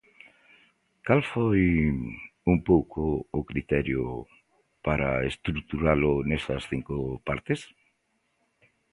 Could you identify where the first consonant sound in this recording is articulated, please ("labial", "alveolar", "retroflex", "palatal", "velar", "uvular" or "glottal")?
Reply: velar